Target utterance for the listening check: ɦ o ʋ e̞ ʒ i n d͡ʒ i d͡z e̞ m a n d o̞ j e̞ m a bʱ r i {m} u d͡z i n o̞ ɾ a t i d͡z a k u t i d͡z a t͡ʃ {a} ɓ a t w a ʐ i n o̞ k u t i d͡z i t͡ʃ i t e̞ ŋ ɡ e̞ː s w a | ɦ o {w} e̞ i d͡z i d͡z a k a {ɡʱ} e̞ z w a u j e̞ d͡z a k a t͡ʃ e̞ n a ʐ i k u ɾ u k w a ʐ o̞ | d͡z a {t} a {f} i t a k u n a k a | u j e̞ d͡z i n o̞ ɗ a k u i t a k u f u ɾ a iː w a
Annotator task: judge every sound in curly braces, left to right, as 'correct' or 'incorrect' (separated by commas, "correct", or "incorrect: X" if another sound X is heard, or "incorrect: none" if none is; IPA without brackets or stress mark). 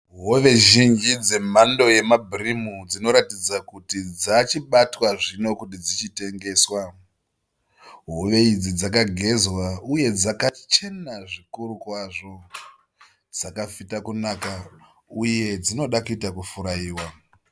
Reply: correct, incorrect: i, incorrect: ʋ, correct, incorrect: k, correct